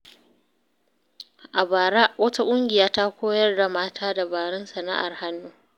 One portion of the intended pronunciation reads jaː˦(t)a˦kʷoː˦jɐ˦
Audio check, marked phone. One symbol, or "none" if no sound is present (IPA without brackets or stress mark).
t